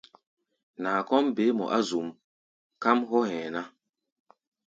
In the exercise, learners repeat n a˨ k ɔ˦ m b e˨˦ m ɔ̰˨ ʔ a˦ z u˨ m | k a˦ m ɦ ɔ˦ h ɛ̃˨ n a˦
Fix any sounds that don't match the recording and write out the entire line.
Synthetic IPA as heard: n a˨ k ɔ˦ m b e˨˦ m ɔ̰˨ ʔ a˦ z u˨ m | k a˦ m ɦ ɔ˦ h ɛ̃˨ n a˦